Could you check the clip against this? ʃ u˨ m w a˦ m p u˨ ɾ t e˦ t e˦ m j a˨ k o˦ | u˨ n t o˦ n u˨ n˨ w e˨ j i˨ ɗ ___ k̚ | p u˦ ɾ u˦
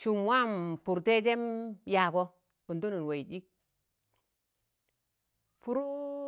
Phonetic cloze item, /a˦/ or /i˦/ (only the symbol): i˦